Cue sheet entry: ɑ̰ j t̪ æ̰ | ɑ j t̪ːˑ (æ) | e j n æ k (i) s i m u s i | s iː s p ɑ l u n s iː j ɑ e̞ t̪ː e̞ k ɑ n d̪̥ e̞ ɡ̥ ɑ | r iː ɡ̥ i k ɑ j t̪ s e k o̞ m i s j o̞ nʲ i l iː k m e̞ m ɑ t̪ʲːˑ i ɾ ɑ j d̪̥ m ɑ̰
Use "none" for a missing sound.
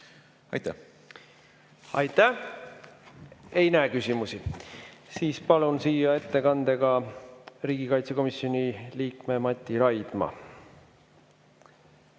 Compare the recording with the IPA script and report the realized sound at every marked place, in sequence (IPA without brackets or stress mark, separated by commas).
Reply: æ, y